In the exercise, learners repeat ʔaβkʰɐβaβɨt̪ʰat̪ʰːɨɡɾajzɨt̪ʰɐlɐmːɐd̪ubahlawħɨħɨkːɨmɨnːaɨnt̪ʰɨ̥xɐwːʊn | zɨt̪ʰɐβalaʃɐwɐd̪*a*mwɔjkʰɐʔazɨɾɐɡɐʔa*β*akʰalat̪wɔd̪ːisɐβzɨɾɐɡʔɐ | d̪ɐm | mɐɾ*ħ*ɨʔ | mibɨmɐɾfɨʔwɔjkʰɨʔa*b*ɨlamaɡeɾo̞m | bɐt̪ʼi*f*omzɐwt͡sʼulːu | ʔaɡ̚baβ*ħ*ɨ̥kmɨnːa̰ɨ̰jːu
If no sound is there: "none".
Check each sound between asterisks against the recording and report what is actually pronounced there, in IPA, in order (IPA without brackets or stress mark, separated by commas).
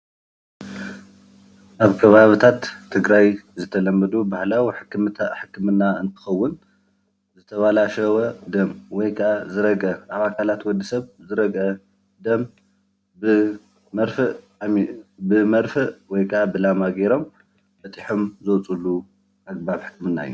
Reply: ɐ, β, f, b, ħ, ħ